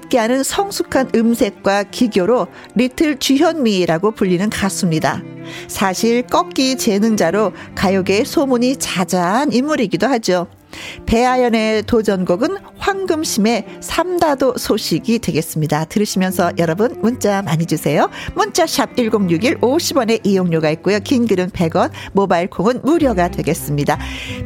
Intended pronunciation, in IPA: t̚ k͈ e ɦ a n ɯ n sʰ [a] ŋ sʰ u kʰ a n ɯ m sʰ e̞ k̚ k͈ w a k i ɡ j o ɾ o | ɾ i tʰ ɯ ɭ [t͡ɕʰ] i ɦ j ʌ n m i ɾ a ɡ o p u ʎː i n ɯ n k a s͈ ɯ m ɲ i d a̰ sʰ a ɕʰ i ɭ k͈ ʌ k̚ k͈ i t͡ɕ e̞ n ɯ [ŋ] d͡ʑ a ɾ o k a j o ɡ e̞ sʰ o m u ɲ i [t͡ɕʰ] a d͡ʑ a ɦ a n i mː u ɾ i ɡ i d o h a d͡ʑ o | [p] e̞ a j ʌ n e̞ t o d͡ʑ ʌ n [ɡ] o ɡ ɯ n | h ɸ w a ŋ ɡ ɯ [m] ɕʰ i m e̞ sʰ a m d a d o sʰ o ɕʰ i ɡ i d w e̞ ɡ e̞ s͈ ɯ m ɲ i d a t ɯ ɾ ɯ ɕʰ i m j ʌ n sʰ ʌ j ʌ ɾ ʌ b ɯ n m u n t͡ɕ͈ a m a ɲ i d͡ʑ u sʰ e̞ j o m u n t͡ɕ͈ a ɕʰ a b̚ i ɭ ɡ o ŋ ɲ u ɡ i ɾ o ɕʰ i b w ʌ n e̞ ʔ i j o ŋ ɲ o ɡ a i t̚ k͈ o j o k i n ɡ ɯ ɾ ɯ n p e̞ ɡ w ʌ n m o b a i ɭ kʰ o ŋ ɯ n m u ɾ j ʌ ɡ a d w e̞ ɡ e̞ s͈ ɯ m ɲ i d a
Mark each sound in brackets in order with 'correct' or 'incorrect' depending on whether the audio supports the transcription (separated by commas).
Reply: incorrect, incorrect, correct, incorrect, correct, correct, correct